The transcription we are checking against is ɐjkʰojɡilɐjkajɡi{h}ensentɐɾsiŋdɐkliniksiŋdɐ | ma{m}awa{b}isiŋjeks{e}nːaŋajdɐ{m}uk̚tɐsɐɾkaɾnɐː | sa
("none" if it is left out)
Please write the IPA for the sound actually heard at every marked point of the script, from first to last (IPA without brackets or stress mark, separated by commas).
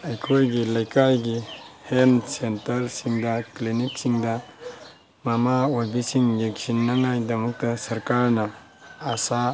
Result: h, m, b, i, m